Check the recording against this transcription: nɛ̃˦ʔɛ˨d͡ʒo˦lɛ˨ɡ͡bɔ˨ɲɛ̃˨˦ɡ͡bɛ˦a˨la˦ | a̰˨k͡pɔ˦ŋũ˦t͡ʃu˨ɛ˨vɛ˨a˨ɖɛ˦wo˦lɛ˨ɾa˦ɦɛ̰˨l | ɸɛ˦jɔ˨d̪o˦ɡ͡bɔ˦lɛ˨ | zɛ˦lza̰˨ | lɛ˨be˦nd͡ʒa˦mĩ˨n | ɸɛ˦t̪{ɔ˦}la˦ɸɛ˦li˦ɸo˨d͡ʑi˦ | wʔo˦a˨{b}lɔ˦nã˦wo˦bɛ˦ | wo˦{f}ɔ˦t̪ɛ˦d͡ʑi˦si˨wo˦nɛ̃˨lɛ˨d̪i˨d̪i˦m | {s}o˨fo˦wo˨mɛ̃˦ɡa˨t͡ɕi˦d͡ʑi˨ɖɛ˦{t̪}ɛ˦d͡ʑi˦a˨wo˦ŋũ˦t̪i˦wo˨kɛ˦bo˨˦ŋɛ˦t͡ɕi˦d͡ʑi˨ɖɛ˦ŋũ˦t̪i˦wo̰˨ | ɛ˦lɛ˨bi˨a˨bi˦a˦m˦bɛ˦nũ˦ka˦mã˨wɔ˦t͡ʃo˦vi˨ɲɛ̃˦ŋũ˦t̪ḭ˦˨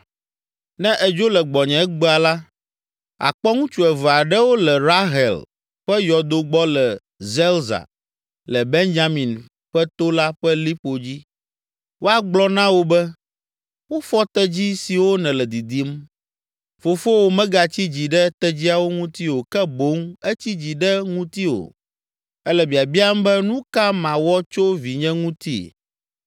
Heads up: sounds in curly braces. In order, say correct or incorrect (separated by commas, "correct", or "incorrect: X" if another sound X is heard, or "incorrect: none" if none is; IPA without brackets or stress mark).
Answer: incorrect: o˦, incorrect: ɡ͡b, correct, incorrect: f, correct